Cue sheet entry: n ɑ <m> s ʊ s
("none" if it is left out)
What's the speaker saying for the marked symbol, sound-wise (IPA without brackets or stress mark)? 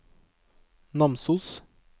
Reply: m